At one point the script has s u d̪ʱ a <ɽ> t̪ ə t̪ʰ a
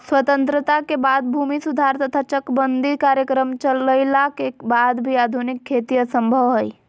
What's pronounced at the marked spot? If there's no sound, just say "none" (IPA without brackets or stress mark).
ɾ